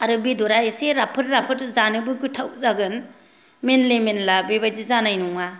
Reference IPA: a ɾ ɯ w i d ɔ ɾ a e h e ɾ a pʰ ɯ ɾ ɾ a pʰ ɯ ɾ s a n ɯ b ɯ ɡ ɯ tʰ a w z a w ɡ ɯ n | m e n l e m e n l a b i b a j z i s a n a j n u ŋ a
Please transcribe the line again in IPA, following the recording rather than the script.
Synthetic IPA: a ɾ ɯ b i d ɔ ɾ a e s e ɾ a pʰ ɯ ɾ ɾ a pʰ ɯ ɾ z a n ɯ b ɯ ɡ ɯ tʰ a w z a ɡ ɯ n | m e n l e m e n l a b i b a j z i z a n a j n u ŋ a

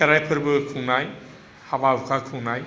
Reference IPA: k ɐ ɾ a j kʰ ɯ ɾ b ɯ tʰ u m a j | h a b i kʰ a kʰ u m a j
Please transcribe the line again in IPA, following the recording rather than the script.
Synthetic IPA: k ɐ ɾ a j pʰ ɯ ɾ b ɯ kʰ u n a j | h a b a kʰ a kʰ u n a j

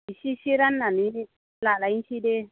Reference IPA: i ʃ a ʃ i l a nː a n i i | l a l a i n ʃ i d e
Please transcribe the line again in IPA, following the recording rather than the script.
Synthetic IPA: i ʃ i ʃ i ɾ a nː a n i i | l a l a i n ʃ i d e

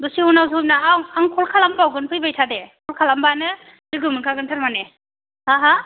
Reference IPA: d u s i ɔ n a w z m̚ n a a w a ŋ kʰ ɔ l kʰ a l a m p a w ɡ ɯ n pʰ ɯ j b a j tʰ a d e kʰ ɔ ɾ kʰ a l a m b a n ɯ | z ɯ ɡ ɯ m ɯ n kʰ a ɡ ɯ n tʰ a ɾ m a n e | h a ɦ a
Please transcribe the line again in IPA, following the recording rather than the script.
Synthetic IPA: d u s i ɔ n a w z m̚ n a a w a ŋ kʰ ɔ l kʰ a l a m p a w ɡ ɯ n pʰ ɯ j b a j tʰ a d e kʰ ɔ l kʰ a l a m b a n ɯ | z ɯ ɡ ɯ m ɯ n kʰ a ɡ ɯ n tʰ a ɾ m a n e | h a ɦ a

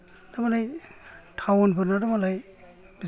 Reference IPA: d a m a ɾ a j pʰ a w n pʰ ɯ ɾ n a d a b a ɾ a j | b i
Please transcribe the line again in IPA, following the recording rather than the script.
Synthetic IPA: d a m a l a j tʰ a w n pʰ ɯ ɾ n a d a m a l a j | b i

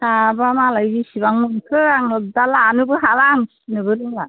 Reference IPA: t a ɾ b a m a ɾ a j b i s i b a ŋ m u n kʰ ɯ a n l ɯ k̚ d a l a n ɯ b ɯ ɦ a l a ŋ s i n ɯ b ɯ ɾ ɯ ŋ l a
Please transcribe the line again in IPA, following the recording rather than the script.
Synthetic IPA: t a b a m a l a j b i s i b a ŋ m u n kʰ ɯ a ŋ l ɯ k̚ d a l a n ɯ b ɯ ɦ a l a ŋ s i n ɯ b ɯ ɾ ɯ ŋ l a

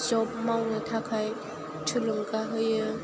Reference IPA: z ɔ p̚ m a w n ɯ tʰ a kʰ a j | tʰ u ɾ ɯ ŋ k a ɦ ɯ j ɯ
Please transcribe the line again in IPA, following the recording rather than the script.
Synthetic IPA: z ɔ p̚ m a w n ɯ tʰ a kʰ a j | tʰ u l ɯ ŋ k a ɦ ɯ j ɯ

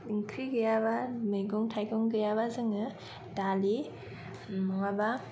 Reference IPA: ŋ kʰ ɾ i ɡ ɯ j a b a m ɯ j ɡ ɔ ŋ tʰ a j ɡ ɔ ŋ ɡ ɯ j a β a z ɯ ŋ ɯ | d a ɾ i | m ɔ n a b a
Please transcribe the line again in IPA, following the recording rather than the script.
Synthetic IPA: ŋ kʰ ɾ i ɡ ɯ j a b a m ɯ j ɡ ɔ ŋ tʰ a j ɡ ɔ ŋ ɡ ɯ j a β a z ɯ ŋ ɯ | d a l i | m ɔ ŋ a b a

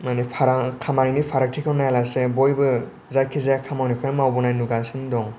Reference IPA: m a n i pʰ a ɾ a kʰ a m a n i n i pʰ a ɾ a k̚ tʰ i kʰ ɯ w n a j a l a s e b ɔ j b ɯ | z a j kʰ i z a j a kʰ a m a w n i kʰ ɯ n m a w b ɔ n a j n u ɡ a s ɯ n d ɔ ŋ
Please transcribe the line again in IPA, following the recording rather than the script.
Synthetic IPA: m a n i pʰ a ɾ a kʰ a m a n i n i pʰ a ɾ a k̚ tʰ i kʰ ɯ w n a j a l a s e b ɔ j b ɯ | z a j kʰ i z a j a kʰ a m a w n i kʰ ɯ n m a w b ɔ n a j n u ɡ a s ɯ n d ɔ ŋ

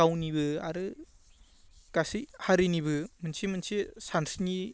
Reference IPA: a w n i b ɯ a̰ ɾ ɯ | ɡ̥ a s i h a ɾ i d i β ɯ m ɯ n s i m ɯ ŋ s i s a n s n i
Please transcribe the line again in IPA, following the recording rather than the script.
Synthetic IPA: a w n i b ɯ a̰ ɾ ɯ | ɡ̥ a s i h a ɾ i n i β ɯ m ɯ n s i m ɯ n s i s a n s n i

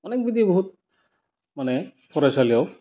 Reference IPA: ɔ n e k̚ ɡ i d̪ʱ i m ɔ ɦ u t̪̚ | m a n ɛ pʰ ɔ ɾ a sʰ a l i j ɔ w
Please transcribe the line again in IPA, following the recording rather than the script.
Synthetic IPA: ɔ n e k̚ b i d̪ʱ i b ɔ ɦ u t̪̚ | m a n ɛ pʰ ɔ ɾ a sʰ a l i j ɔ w

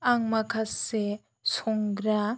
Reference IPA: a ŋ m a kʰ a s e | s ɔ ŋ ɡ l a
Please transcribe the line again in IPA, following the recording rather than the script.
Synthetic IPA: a ŋ m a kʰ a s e | s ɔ ŋ ɡ ɾ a

